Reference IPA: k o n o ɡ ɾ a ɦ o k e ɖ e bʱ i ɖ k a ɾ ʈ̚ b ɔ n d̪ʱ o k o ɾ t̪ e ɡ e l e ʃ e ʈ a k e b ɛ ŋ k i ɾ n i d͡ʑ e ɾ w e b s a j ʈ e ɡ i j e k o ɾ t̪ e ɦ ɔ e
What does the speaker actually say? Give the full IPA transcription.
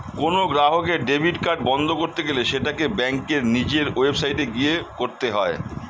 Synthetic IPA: k o n o ɡ ɾ a ɦ o k e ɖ e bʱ i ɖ k a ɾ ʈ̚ b ɔ n d̪ʱ o k o ɾ t̪ e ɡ e l e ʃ e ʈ a k e b ɛ ŋ k e ɾ n i d͡ʑ e ɾ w e b s a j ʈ e ɡ i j e k o ɾ t̪ e ɦ ɔ e